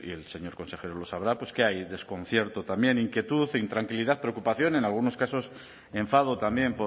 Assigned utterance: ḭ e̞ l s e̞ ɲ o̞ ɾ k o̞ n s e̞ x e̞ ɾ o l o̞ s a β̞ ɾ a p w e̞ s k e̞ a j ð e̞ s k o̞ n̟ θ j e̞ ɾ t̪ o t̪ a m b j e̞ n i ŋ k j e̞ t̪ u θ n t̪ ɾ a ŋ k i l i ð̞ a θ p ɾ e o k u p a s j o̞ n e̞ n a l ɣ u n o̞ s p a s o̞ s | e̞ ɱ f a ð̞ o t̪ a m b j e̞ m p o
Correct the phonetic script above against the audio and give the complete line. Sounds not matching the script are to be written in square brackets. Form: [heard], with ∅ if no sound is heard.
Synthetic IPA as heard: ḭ e̞ l s e̞ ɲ o̞ ɾ k o̞ n s e̞ x e̞ ɾ o l o̞ s a β̞ ɾ a p w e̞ s k e̞ a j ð e̞ s k o̞ n̟ θ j e̞ ɾ t̪ o t̪ a m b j e̞ n i ŋ k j e̞ t̪ u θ n t̪ ɾ a ŋ k i l i ð̞ a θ p ɾ e o k u p a [θ] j o̞ n e̞ n a l ɣ u n o̞ s [k] a s o̞ s | e̞ ɱ f a ð̞ o t̪ a m b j e̞ m p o